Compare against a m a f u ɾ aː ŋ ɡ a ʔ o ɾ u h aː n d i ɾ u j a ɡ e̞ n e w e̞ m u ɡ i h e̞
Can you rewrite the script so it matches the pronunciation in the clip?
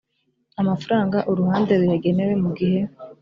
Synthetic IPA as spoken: a m a f u ɾ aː ŋ ɡ a ʔ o ɾ u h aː n d e ɾ u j a ɡ e̞ n e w e̞ m u ɡ i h e̞